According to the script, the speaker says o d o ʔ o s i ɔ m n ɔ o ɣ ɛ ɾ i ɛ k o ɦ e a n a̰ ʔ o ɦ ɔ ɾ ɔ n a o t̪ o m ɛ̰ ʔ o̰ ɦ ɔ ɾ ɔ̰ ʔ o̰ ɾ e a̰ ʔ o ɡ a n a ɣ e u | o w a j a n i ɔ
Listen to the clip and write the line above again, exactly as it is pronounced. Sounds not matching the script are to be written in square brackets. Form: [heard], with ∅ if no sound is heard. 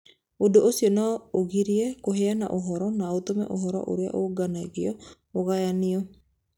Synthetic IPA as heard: o d o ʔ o s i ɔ [∅] n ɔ o ɣ [i] ɾ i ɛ k o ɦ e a n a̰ ʔ o ɦ ɔ ɾ ɔ n a o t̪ o m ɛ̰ ʔ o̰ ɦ ɔ ɾ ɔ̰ ʔ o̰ ɾ e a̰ ʔ o ɡ a n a ɣ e [ɔ] | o [ɣ] a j a n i ɔ